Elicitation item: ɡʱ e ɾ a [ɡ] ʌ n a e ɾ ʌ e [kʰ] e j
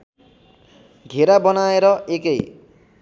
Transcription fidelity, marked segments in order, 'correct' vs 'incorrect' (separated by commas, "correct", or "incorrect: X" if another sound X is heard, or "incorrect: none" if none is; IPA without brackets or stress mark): incorrect: b, incorrect: k